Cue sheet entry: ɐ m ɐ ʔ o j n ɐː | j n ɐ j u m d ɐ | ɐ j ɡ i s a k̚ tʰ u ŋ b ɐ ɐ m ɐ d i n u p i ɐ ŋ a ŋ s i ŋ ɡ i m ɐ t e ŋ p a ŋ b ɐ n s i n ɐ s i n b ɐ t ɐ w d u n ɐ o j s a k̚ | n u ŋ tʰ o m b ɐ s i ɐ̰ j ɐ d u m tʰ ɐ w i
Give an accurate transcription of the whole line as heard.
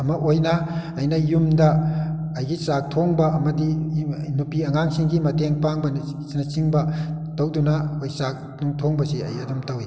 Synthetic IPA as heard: ɐ m ɐ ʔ o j n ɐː | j n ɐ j u m d ɐ | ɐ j ɡ i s a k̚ tʰ o ŋ b ɐ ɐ m ɐ d i n u p i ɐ ŋ a ŋ s i ŋ ɡ i m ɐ t e ŋ p a ŋ b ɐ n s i n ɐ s i ŋ b ɐ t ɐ w d u n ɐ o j s a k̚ | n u ŋ tʰ o ŋ b ɐ s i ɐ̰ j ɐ d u m t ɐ w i